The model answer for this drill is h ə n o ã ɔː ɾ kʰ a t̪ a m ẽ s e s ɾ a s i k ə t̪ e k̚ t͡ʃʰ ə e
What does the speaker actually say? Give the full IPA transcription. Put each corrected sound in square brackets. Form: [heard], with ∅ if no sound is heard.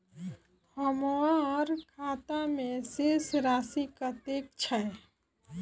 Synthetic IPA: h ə [m] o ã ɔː ɾ kʰ a t̪ a m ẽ s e s ɾ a s i k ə t̪ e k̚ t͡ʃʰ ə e